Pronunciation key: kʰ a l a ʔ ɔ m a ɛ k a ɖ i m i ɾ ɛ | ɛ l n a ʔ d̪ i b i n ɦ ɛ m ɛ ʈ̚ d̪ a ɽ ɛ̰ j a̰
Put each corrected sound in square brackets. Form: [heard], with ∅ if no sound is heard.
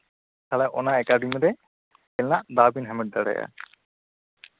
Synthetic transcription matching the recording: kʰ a l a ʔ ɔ [n] a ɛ k a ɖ i m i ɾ ɛ | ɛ l n a ʔ d̪ [a] b i n ɦ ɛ m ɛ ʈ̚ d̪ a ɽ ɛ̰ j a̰